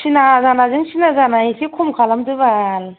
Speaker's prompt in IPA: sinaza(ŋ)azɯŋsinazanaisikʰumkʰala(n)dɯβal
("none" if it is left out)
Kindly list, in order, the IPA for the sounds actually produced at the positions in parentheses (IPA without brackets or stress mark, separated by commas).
n, m